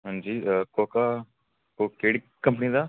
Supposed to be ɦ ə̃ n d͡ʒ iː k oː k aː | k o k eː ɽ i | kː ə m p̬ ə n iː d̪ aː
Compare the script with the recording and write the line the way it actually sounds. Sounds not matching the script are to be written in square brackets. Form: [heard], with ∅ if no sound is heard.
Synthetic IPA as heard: ɦ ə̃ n d͡ʒ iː k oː k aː | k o k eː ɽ i | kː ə m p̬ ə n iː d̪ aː

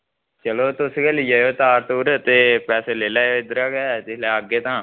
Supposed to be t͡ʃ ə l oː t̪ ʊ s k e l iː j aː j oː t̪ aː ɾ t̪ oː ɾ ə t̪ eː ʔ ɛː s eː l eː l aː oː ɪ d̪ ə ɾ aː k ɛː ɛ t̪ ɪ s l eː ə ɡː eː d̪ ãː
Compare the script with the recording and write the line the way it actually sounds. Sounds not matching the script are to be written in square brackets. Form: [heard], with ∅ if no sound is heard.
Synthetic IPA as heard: t͡ʃ ə l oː t̪ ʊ s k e l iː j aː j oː t̪ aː ɾ t̪ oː ɾ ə t̪ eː [p] ɛː s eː l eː l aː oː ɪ d̪ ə ɾ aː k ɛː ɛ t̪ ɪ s l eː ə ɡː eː [t̪] ãː

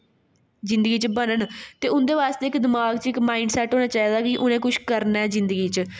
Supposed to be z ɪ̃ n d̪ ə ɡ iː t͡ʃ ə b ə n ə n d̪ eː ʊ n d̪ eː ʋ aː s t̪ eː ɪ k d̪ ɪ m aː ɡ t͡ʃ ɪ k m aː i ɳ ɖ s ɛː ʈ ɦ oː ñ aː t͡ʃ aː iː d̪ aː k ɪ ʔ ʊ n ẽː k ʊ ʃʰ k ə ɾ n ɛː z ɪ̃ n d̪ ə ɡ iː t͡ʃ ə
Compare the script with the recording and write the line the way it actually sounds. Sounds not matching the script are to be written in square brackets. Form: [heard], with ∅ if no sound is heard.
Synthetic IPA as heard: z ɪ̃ n d̪ ə ɡ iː t͡ʃ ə b ə n ə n [t̪] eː ʊ n d̪ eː ʋ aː s t̪ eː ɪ k d̪ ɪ m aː ɡ t͡ʃ ɪ k m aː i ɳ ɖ s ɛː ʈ ɦ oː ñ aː t͡ʃ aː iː d̪ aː k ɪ ʔ ʊ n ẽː k ʊ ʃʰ k ə ɾ n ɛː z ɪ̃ n d̪ ə ɡ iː t͡ʃ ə

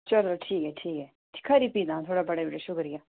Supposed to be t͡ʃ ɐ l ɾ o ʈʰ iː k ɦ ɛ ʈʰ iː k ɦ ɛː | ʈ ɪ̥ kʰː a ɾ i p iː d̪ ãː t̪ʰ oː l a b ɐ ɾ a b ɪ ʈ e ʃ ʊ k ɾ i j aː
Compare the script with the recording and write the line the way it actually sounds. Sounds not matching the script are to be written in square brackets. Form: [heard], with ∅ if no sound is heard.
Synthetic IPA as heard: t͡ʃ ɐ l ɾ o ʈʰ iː k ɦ ɛ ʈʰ iː k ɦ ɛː | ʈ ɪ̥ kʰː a ɾ i p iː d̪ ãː t̪ʰ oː [ɽ] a b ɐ [ɽ] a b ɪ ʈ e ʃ ʊ k ɾ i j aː

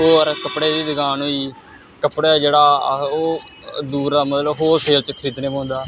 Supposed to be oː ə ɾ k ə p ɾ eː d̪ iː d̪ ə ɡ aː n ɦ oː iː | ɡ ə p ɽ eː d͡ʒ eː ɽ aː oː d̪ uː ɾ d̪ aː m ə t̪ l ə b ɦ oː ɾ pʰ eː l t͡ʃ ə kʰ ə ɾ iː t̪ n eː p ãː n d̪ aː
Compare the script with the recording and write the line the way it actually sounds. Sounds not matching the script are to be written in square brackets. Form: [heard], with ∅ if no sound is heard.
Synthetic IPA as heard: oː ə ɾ k ə p [ɽ] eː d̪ iː d̪ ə ɡ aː n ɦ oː iː | [k] ə p ɽ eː d͡ʒ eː ɽ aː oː d̪ uː ɾ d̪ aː m ə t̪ l ə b ɦ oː ɾ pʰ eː l t͡ʃ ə kʰ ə ɾ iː t̪ n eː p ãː n d̪ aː

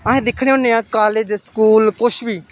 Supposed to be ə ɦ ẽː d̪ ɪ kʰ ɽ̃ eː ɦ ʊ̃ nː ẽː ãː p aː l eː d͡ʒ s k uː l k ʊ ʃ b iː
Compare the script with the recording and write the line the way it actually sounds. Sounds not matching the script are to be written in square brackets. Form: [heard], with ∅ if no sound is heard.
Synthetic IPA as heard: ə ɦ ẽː d̪ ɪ kʰ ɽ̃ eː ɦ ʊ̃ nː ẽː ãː [k] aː l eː d͡ʒ s k uː l k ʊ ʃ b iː

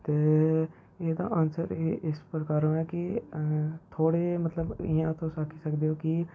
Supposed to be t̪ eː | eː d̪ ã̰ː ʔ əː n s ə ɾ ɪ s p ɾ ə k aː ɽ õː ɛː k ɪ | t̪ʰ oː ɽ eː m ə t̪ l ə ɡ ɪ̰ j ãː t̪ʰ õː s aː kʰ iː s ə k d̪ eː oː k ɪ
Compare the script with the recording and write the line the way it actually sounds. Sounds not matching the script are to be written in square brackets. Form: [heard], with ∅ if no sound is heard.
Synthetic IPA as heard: t̪ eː | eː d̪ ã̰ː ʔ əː n s ə ɾ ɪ s p ɾ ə k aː [ɾ] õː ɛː k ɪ | t̪ʰ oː ɽ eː m ə t̪ l ə [b] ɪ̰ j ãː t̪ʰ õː s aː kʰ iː s ə k d̪ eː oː k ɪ

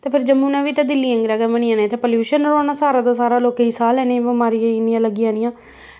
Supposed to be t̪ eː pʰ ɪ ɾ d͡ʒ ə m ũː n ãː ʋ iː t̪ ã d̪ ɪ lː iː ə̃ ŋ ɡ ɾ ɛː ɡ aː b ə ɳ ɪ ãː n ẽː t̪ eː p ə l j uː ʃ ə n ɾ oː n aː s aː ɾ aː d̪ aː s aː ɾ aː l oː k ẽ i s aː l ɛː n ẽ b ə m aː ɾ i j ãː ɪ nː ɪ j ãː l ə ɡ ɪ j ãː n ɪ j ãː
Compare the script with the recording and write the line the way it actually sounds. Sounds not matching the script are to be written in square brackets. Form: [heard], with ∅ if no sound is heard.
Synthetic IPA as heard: t̪ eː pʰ ɪ ɾ d͡ʒ ə m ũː n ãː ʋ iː t̪ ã d̪ ɪ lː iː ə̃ ŋ ɡ ɾ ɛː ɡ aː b ə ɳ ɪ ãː n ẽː t̪ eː p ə l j uː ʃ ə n ɾ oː n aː s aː ɾ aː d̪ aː s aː ɾ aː l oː k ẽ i s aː l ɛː n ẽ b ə m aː ɾ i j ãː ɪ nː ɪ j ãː l ə ɡ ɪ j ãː n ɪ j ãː

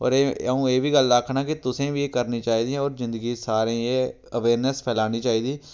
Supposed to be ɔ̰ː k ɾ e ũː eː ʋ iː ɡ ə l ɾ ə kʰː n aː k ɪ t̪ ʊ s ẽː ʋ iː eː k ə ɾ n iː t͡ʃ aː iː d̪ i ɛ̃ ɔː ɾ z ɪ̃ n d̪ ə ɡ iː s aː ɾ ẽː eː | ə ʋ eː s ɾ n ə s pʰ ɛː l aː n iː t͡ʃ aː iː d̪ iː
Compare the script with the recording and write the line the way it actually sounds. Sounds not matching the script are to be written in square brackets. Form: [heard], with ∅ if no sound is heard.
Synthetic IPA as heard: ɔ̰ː [∅] ɾ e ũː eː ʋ iː ɡ ə l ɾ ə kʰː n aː k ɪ t̪ ʊ s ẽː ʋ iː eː k ə ɾ n iː t͡ʃ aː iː d̪ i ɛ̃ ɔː ɾ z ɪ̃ n d̪ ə ɡ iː s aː ɾ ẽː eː | ə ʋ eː [∅] ɾ n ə s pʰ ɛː l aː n iː t͡ʃ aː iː d̪ iː

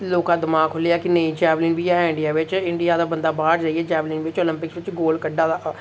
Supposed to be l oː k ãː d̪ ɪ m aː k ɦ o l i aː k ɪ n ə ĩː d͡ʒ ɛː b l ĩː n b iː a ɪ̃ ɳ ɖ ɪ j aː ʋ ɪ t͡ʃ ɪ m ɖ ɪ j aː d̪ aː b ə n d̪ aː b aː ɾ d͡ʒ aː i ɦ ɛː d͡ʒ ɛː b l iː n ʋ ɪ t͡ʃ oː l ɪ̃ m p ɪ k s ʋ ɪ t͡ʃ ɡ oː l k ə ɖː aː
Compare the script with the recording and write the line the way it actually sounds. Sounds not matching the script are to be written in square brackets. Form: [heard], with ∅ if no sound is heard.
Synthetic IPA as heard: l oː k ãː d̪ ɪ m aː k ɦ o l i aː k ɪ n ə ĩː d͡ʒ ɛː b l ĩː n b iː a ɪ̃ ɳ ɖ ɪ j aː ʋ ɪ t͡ʃ ɪ [ɳ] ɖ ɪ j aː d̪ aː b ə n d̪ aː b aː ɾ d͡ʒ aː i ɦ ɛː d͡ʒ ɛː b l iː n ʋ ɪ t͡ʃ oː l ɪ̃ m p ɪ k s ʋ ɪ t͡ʃ ɡ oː l k ə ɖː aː

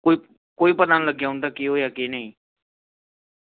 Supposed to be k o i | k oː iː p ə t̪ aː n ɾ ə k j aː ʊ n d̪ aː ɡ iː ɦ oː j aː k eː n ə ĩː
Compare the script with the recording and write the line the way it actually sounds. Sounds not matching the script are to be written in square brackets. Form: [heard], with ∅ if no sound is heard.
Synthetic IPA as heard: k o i | k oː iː p ə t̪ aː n [l] ə [ɡ] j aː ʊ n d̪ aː [k] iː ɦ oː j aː k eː n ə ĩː

